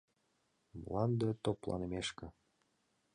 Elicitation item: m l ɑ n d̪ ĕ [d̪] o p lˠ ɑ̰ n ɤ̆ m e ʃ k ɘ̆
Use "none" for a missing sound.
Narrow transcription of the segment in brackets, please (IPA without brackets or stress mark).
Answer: t̪